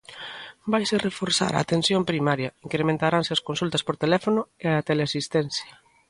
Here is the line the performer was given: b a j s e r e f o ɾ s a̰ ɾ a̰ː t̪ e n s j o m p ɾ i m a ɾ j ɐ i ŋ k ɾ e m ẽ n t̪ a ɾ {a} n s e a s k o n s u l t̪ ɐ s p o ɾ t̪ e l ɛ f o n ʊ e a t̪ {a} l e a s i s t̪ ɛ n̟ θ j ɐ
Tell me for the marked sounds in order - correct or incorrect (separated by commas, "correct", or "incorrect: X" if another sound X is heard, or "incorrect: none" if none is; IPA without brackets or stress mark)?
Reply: correct, incorrect: e